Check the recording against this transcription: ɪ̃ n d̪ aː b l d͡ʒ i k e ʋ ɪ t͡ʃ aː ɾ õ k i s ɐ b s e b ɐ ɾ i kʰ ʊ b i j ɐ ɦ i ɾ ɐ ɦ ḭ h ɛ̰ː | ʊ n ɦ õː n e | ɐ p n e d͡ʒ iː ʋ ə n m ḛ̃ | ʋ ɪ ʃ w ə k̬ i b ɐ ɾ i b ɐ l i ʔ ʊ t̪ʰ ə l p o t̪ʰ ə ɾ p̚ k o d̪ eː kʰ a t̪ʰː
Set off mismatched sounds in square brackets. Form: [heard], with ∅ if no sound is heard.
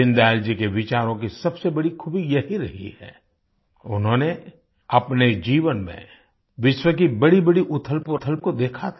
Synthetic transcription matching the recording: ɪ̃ n d̪ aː [∅] l d͡ʒ i k e ʋ ɪ t͡ʃ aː ɾ õ k i s ɐ b s e b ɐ [ɽ] i kʰ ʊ b i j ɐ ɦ i ɾ ɐ ɦ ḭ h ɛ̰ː | ʊ n ɦ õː n e | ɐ p n e d͡ʒ iː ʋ ə n m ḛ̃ | ʋ ɪ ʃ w ə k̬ i b ɐ [ɽ] i b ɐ [ɽ] i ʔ ʊ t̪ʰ ə l p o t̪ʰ ə [l] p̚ k o d̪ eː kʰ a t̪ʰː